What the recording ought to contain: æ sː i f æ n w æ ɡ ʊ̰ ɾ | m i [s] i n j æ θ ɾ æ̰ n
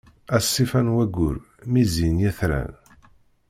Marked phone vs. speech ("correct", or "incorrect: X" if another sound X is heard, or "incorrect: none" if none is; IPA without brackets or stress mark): incorrect: z